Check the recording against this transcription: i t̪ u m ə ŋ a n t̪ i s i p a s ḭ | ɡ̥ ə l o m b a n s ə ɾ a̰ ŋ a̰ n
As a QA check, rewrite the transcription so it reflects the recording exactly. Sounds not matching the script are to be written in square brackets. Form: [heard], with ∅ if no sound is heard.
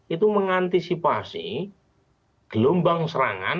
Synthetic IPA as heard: i t̪ u m ə ŋ a n t̪ i s i p a s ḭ | ɡ̥ ə l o m b a [ŋ] s ə ɾ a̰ ŋ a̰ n